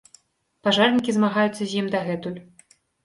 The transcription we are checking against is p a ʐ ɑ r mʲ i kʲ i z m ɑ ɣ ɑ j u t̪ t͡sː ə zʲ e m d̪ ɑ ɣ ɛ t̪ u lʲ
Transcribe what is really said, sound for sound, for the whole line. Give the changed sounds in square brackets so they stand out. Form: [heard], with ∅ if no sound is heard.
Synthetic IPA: p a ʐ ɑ r [nʲ] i kʲ i z m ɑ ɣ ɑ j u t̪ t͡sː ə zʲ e m d̪ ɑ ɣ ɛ t̪ u lʲ